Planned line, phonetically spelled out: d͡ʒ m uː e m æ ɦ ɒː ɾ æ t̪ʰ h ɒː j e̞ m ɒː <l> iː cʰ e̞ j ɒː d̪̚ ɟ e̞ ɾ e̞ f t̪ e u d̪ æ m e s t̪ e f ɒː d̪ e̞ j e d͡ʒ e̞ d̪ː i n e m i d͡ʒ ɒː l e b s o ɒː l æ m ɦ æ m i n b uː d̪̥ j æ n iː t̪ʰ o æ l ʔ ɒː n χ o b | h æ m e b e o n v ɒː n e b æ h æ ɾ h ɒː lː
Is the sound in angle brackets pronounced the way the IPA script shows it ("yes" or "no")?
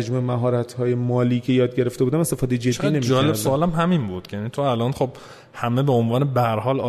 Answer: yes